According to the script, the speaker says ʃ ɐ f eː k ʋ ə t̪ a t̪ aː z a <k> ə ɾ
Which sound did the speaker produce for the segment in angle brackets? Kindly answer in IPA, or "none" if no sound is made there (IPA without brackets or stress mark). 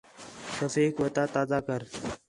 k